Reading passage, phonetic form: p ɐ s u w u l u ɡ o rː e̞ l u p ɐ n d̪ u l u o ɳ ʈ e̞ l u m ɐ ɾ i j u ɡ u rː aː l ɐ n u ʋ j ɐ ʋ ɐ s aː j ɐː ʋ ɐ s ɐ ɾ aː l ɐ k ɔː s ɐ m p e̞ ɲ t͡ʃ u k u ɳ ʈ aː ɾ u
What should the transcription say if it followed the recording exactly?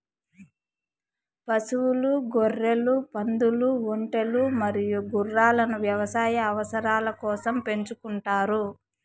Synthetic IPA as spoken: p ɐ s u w u l u ɡ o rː e̞ l u p ɐ n d̪ u l u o ɳ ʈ e̞ l u m ɐ ɾ i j u ɡ u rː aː l ɐ n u ʋ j ɐ ʋ ɐ s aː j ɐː ʋ ɐ s ɐ ɾ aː l ɐ k ɔː s ɐ m p e̞ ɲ t͡ʃ u k u ɳ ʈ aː ɾ u